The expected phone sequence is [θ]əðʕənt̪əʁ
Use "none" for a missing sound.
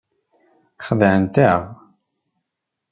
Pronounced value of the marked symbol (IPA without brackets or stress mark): χ